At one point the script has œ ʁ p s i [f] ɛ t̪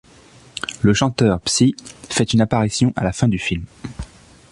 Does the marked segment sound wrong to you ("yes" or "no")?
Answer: no